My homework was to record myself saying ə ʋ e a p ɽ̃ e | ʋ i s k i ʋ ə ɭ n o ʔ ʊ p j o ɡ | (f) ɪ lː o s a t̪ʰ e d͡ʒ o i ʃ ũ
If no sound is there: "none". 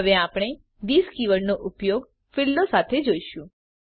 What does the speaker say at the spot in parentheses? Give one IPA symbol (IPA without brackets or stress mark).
f